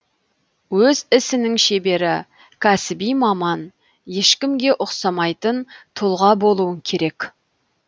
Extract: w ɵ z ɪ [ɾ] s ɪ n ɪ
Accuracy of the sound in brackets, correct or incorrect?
incorrect: none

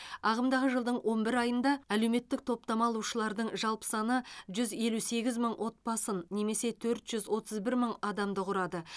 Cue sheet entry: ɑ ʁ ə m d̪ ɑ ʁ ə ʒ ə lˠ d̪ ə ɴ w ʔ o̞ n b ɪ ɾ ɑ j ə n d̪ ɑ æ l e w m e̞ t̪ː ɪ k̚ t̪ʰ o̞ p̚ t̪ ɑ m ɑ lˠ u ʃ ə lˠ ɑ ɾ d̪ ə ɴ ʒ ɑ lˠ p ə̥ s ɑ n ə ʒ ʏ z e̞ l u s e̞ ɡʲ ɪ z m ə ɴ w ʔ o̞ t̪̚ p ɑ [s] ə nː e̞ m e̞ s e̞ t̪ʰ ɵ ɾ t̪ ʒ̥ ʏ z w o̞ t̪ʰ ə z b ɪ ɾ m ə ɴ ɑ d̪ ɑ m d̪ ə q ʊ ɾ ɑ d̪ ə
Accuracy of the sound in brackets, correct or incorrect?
correct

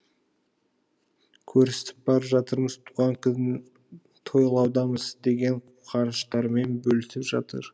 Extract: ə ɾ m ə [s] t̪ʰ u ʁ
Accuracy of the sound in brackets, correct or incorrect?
incorrect: z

